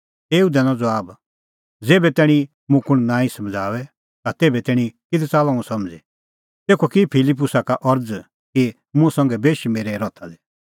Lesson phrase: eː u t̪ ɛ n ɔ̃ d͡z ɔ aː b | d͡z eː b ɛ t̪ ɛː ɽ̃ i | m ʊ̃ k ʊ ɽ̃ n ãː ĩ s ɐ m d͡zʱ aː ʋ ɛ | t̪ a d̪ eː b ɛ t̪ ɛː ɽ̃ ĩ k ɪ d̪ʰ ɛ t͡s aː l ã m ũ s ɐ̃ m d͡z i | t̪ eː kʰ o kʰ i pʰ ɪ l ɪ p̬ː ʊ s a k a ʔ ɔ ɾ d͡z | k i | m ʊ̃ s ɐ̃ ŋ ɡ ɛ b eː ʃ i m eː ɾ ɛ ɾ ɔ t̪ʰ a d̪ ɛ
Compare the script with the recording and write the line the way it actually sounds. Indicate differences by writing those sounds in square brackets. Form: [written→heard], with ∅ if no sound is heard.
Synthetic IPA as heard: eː u [t̪→d̪] ɛ n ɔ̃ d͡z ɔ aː b | d͡z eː b ɛ t̪ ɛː ɽ̃ i | m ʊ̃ k ʊ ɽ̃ n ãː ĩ s ɐ m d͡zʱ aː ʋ ɛ | t̪ a [d̪→t̪] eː b ɛ t̪ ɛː ɽ̃ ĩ k ɪ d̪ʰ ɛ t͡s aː l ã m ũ s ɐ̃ m d͡z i | t̪ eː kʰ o [kʰ→k] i pʰ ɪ l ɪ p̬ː ʊ s a k a ʔ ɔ ɾ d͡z | k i | m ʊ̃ s ɐ̃ ŋ ɡ ɛ b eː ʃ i m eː ɾ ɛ ɾ ɔ t̪ʰ a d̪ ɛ